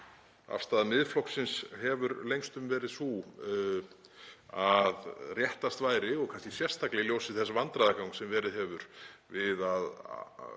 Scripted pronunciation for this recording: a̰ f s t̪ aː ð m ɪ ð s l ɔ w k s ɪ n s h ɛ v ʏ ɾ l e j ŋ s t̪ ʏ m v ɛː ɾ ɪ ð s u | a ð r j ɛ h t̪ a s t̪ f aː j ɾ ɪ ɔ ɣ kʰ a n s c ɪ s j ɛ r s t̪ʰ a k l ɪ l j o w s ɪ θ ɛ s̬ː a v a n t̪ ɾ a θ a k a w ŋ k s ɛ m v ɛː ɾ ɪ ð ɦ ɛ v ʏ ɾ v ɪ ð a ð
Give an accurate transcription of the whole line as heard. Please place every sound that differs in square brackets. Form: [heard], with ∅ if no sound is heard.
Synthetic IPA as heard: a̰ f s t̪ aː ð m ɪ ð [f] l ɔ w k s ɪ n s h ɛ v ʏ ɾ l e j ŋ s t̪ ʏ m v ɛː ɾ ɪ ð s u | a ð r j ɛ h t̪ a s t̪ [v] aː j ɾ ɪ ɔ ɣ kʰ a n s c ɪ s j ɛ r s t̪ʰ a k l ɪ l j o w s ɪ θ ɛ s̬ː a v a n t̪ ɾ a [ð] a k a w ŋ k s ɛ m v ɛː ɾ ɪ ð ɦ ɛ v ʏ ɾ v ɪ ð a ð

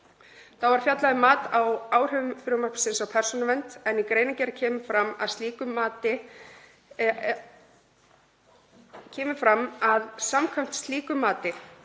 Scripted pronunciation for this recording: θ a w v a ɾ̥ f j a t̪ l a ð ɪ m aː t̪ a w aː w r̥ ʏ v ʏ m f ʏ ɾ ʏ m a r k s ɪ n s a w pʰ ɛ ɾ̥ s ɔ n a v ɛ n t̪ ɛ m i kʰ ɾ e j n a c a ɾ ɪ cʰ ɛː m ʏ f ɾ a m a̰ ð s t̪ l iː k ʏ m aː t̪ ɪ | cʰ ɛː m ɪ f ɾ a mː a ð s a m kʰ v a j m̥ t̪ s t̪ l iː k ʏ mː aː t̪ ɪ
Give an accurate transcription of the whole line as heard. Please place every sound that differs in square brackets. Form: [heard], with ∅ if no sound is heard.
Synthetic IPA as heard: θ a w v a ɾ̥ f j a t̪ l a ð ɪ m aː t̪ a w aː w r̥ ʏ v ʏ m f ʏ ɾ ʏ m a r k s ɪ n s a w pʰ ɛ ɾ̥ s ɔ n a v ɛ n t̪ ɛ [n] i [k] ɾ e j n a c [ɛ] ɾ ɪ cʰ ɛː m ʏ f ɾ a m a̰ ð s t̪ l iː k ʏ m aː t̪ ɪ | cʰ ɛː m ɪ f ɾ a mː a ð s a m kʰ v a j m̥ t̪ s t̪ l iː k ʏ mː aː t̪ ɪ

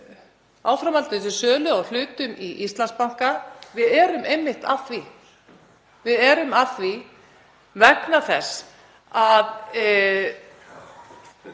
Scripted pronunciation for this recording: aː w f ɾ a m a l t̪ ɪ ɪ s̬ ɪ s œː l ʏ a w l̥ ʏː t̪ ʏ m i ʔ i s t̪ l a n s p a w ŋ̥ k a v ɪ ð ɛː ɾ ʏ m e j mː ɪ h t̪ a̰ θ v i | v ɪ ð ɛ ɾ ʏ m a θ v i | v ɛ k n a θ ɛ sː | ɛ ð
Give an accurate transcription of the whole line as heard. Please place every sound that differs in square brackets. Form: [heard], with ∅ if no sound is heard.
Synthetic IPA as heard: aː w f ɾ a m a l t̪ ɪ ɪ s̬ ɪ s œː l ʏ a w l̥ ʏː t̪ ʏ m i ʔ i s t̪ l a n s p a w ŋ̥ k a v ɪ ð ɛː ɾ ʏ m e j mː ɪ h t̪ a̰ θ v i | v ɪ ð ɛ ɾ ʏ m a θ v i | v ɛ k n a θ ɛ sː | [a] ð

